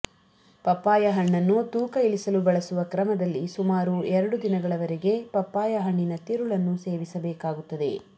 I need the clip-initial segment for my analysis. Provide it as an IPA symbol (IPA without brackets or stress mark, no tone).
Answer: p